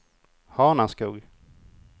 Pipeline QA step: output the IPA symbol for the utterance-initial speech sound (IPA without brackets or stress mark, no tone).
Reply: h